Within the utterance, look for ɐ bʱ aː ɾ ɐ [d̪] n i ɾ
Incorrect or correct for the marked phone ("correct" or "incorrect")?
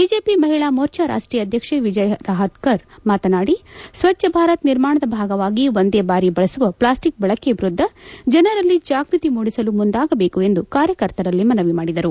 incorrect